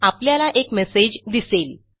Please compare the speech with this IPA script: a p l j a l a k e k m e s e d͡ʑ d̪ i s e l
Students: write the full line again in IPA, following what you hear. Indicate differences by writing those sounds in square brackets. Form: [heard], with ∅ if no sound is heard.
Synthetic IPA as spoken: a p l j a l a [ʔ] e k m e s e d͡ʑ d̪ i s e l